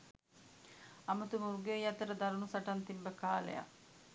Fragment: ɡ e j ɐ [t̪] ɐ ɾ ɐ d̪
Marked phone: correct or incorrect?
correct